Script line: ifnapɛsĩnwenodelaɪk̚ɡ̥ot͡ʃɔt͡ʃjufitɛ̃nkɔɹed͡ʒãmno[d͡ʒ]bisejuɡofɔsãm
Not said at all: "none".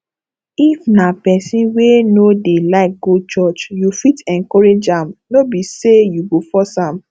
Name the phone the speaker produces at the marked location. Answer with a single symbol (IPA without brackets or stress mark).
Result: none